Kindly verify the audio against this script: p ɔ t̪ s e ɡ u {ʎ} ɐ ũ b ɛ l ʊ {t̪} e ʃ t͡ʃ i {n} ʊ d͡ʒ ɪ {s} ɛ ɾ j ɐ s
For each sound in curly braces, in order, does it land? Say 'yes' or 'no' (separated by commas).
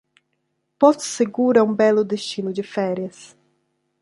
no, no, yes, no